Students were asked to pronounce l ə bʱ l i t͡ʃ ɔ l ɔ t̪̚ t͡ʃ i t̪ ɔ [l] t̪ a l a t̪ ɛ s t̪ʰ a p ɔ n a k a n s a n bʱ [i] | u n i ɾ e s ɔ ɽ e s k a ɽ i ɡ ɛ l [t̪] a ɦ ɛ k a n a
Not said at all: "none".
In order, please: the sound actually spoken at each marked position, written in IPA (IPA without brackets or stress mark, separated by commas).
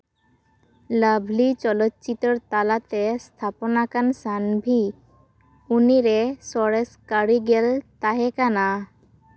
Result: ɾ, i, t̪